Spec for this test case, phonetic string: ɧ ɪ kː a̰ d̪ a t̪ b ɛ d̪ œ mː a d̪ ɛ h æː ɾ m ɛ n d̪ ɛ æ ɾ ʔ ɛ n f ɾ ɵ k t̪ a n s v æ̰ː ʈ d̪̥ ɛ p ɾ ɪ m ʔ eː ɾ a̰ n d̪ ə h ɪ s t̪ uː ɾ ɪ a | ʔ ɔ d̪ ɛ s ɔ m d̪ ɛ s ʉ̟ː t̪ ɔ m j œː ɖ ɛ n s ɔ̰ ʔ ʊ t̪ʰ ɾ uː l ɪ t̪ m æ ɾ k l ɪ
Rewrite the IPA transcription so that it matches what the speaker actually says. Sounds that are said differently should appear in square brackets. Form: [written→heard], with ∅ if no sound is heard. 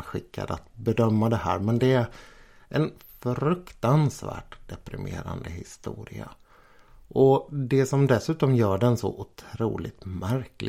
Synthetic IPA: ɧ ɪ kː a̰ d̪ a t̪ b ɛ d̪ œ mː a d̪ ɛ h æː ɾ m ɛ n d̪ ɛ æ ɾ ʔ ɛ n f ɾ ɵ k t̪ a n s v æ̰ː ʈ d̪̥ ɛ p ɾ ɪ m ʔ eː ɾ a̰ n d̪ ə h ɪ s t̪ uː ɾ ɪ a | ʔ ɔ d̪ ɛ s ɔ m d̪ ɛ s ʉ̟ː t̪ ɔ m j œː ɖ ɛ n s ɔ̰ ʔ ʊ t̪ʰ ɾ uː l ɪ t̪ m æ ɾ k l ɪ